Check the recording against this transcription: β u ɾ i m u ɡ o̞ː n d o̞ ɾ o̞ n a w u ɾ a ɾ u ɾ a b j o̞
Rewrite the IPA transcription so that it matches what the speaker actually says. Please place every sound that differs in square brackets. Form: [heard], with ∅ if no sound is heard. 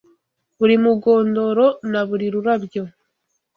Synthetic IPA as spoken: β u ɾ i m u ɡ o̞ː n d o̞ ɾ o̞ n a [β] u ɾ [i] ɾ u ɾ a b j o̞

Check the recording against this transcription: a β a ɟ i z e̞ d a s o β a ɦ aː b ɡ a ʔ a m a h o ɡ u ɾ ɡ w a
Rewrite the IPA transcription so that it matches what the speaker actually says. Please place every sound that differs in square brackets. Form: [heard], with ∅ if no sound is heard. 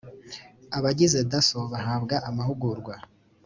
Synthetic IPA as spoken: a β a ɟ i z e̞ d a s o β a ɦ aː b ɡ a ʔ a m a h [u] ɡ u ɾ ɡ w a

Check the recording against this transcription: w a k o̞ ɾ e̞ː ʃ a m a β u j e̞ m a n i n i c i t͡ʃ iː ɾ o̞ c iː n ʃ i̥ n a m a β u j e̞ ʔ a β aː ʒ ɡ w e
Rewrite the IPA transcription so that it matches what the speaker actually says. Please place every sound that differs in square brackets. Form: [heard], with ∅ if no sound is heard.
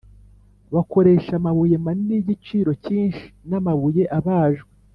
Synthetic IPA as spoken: [β] a k o̞ ɾ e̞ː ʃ a m a β u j e̞ m a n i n i [ɟ] i t͡ʃ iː ɾ o̞ c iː n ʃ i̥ n a m a β u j e̞ ʔ a β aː ʒ ɡ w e

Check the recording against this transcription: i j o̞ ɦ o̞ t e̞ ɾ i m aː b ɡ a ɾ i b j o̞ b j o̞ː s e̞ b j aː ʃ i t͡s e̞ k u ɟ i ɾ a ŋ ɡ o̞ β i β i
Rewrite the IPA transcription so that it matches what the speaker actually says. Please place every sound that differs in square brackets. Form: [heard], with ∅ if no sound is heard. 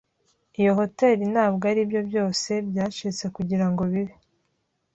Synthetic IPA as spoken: i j o̞ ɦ o̞ t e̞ ɾ i [n] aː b ɡ a ɾ i b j o̞ b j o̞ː s e̞ b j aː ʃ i t͡s e̞ k u ɟ i ɾ a ŋ ɡ o̞ β i β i

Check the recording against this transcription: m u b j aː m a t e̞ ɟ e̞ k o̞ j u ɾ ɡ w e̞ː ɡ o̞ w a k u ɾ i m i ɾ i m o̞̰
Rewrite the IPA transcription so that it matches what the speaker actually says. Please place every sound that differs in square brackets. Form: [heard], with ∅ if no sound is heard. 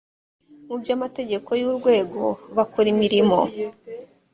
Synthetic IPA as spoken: m u b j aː m a t e̞ ɟ e̞ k o̞ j u ɾ ɡ w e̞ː ɡ o̞ [β] a k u ɾ i m i ɾ i m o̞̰

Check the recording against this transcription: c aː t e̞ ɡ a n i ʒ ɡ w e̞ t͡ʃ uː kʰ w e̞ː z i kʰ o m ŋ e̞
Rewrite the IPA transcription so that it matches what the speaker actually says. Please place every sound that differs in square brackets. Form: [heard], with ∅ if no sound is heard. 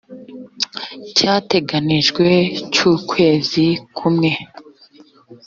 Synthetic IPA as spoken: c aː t e̞ ɡ a n i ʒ ɡ w e̞ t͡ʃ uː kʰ w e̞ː z i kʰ [u] m ŋ e̞

